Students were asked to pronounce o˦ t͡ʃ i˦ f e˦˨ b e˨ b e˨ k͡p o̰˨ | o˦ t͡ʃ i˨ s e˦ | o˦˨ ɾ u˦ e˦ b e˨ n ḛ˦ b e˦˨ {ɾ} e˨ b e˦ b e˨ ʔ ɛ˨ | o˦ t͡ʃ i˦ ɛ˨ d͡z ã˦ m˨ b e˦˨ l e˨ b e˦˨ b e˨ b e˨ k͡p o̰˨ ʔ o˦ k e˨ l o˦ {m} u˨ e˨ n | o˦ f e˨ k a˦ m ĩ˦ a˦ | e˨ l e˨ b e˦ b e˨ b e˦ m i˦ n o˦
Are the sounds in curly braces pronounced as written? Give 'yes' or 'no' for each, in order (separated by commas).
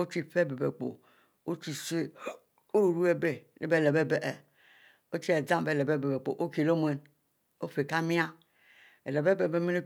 no, yes